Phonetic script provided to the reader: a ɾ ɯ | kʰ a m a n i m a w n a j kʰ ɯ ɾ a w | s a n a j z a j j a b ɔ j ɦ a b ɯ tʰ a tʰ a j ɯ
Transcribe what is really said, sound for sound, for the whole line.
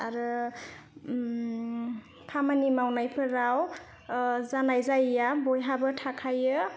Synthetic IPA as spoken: a ɾ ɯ | pʰ a m a n i m a w n a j pʰ ɯ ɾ a w | z a n a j z a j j a b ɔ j ɦ a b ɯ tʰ a kʰ a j ɯ